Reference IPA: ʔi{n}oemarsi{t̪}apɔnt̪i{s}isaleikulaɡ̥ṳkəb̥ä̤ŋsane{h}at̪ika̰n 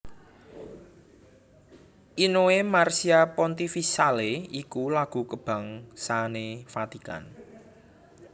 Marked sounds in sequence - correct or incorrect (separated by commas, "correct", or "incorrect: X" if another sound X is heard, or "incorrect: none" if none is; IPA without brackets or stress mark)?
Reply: correct, incorrect: none, incorrect: f, incorrect: f